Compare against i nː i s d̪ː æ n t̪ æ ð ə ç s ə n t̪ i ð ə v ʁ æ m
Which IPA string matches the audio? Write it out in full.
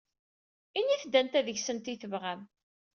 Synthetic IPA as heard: i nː i θ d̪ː æ n t̪ æ ð ə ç s ə n t̪ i θ ə v ʁ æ m